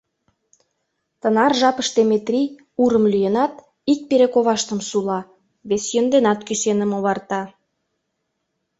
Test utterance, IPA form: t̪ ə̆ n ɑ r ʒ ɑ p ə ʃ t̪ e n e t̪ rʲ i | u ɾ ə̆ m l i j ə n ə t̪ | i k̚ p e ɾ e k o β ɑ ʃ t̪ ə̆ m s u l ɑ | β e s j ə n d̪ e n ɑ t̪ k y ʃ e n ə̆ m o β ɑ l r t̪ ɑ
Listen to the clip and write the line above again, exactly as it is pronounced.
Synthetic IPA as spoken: t̪ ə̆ n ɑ r ʒ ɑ p ə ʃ t̪ e m e t̪ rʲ i | u ɾ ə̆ m l y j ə n ɑ t̪ | i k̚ p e ɾ e k o β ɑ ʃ t̪ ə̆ m s u l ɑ | β e s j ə n d̪ e n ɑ t̪ k y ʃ e n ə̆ m o β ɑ r t̪ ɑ